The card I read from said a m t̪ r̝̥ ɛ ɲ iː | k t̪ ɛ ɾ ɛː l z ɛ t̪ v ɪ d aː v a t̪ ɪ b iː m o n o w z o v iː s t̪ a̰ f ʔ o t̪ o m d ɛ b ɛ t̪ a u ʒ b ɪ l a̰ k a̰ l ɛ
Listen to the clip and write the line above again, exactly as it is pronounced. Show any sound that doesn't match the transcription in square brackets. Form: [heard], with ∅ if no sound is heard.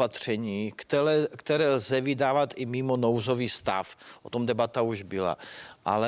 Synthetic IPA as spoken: a [∅] t̪ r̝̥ ɛ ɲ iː | k t̪ ɛ ɾ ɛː l z ɛ [∅] v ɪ d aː v a t̪ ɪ [m] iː m o n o w z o v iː s t̪ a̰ f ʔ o t̪ o m d ɛ b [a] t̪ a u ʒ b ɪ l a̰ [ʔ] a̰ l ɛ